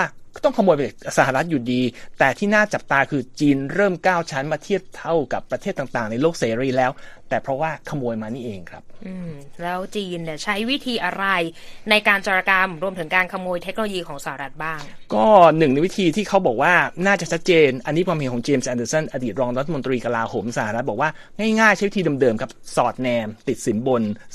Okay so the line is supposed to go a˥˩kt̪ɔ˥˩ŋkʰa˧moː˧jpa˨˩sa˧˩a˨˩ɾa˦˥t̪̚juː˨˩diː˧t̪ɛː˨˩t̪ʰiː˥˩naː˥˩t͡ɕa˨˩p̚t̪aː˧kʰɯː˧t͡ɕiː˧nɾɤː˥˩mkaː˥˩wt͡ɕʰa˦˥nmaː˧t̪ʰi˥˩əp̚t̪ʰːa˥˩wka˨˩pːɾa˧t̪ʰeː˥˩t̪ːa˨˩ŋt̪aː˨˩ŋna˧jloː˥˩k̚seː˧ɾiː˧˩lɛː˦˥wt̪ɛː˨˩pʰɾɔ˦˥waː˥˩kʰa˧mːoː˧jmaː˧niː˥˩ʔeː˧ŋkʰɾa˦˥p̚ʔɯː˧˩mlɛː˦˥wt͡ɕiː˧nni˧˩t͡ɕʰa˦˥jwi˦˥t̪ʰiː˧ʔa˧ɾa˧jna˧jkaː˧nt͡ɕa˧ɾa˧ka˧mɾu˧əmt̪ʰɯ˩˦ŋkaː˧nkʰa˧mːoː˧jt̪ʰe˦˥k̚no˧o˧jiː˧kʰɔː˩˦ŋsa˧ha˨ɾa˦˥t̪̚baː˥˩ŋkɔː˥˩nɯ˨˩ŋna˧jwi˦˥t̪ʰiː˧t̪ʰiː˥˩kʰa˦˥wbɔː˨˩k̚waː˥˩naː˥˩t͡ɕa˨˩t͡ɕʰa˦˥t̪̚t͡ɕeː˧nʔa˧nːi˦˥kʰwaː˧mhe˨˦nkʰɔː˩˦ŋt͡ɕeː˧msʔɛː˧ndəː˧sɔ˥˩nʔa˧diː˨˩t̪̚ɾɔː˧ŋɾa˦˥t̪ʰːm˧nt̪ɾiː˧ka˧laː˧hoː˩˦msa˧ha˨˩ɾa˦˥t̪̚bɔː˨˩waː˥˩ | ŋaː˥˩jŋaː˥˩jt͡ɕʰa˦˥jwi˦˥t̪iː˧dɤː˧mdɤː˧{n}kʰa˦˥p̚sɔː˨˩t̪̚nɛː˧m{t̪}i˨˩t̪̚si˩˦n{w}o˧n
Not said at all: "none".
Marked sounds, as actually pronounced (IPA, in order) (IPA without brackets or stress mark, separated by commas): m, t̪, b